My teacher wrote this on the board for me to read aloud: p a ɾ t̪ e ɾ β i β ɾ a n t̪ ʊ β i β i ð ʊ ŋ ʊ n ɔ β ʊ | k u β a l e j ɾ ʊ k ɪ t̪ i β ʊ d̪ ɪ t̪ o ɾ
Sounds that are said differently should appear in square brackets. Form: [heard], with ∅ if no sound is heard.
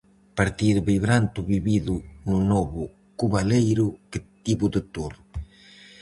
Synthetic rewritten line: p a ɾ t̪ [i] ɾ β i β ɾ a n t̪ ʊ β i β i ð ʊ [n] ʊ n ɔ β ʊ | k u β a l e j ɾ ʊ k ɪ t̪ i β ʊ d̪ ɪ t̪ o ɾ